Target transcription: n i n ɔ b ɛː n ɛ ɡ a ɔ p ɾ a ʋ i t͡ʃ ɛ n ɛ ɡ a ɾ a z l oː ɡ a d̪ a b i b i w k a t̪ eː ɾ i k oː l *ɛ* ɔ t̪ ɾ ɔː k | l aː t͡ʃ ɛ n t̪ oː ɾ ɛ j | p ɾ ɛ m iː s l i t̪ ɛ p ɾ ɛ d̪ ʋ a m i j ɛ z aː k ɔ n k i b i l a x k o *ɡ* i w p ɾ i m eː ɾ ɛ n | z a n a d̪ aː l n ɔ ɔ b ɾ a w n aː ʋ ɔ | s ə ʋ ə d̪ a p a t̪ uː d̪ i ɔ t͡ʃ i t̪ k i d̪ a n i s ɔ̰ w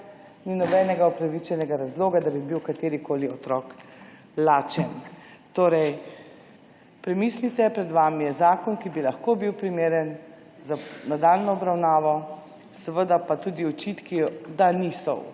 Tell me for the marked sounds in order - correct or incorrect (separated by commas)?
incorrect, incorrect